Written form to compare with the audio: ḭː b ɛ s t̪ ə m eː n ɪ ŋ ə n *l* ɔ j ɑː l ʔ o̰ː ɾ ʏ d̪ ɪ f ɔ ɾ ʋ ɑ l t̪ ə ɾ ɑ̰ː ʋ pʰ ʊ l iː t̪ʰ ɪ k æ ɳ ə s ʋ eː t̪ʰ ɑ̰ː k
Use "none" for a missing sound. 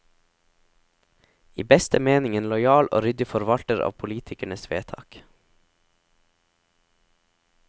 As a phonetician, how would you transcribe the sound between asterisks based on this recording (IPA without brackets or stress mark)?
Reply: l